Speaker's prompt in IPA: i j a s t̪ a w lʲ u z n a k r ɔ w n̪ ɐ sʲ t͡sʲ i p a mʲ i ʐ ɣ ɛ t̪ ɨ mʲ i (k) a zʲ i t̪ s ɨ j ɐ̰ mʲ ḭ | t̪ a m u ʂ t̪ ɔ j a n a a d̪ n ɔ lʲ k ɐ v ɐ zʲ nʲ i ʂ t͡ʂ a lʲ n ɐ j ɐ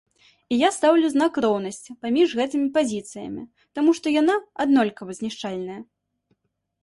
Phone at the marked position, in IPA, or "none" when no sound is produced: p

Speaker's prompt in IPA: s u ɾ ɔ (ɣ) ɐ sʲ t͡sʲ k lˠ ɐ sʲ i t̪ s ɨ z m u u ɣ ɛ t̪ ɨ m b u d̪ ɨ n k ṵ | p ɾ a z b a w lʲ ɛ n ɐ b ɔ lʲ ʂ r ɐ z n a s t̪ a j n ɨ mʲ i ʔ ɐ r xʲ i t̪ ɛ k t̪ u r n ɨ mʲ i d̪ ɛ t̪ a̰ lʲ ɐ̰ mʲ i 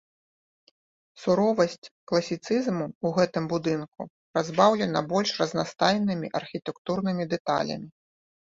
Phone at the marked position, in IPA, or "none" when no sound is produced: v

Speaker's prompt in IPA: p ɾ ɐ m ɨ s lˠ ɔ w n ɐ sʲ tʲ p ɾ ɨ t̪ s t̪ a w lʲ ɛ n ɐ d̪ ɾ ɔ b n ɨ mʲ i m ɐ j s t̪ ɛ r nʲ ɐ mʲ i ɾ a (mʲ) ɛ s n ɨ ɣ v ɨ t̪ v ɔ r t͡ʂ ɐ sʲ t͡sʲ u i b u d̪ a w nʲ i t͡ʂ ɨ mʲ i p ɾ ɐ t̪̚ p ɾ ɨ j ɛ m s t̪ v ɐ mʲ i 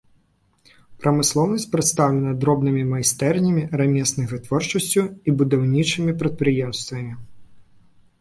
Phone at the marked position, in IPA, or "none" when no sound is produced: mʲ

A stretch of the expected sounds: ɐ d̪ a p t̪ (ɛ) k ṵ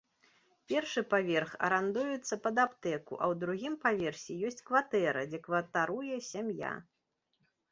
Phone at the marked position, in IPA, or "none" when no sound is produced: ɛ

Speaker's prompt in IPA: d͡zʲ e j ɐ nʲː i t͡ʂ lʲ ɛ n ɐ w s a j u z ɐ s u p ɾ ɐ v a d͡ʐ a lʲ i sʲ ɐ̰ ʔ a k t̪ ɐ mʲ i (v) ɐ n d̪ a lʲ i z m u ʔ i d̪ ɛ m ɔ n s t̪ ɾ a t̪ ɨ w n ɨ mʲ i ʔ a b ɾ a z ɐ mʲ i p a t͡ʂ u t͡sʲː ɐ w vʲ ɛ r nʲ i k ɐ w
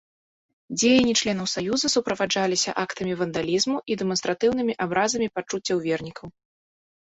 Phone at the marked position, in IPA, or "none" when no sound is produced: v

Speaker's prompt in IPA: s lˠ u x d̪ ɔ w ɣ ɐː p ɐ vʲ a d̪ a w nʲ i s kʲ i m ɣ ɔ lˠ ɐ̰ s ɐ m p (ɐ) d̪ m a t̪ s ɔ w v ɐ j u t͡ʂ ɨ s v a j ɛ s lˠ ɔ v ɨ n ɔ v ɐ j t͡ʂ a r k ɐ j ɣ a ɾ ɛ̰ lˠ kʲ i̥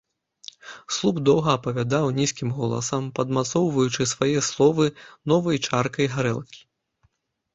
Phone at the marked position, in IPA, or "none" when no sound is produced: ɐ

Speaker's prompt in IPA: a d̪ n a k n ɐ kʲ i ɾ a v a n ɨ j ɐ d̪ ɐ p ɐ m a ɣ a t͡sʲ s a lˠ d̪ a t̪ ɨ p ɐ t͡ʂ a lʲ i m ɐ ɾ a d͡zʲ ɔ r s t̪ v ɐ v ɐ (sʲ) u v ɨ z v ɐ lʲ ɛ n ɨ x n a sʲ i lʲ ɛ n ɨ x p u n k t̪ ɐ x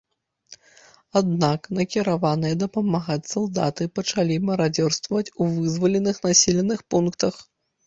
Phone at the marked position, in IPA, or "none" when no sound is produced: t͡sʲ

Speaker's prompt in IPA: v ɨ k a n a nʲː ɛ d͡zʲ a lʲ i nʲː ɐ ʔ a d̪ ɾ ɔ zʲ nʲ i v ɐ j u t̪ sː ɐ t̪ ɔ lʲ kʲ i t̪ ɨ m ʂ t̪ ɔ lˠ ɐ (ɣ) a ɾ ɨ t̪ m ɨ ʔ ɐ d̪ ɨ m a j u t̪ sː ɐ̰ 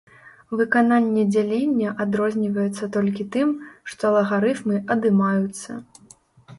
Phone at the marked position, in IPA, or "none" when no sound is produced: ɣ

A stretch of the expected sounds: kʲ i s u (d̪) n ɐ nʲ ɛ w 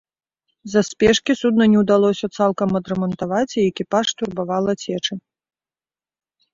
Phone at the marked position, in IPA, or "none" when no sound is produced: d̪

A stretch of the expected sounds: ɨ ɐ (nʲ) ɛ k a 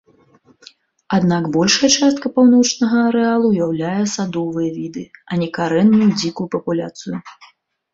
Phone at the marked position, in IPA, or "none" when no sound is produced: nʲ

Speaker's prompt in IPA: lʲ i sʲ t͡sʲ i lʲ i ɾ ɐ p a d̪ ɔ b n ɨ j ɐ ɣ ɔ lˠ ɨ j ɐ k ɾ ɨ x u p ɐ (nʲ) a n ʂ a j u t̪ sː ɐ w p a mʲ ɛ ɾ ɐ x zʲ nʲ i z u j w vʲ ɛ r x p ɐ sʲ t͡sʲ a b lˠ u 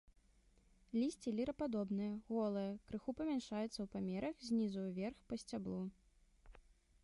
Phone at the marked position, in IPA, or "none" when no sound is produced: mʲ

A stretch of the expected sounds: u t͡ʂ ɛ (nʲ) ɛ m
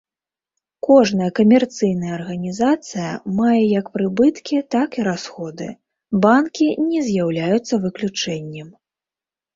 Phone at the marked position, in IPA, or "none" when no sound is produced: nʲː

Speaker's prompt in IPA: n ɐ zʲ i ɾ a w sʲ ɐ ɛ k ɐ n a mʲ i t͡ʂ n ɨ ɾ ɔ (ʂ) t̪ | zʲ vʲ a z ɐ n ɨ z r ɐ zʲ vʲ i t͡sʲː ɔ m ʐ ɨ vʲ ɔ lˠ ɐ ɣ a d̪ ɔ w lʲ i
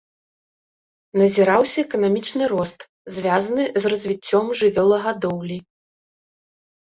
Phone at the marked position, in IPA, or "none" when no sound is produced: s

